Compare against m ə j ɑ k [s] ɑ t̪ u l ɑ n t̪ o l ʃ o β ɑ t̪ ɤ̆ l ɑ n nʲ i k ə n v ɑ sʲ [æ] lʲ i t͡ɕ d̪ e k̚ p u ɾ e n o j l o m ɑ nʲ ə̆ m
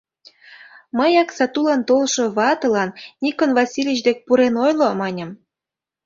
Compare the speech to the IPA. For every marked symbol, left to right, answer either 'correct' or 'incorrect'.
correct, incorrect

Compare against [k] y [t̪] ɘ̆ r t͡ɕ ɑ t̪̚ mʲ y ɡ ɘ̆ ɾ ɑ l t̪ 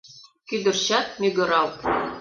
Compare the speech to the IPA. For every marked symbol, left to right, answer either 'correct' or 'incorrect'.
correct, incorrect

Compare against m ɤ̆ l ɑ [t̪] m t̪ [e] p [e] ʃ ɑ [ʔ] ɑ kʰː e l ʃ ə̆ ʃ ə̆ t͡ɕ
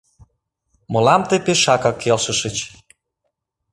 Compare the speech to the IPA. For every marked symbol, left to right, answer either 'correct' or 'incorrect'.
incorrect, correct, correct, incorrect

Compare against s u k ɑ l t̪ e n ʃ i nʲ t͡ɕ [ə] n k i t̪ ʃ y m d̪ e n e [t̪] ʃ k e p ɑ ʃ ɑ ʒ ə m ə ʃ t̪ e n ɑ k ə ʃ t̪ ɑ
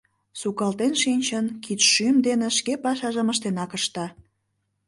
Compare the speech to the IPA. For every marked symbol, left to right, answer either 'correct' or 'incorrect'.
correct, incorrect

